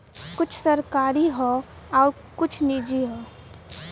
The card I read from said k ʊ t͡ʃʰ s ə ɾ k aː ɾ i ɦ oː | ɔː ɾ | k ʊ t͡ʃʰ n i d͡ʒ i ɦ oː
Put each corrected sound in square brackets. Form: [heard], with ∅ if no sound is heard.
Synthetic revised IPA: k ʊ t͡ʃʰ s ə ɾ k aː ɾ i ɦ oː | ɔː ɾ | k ʊ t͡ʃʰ n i d͡ʒ i ɦ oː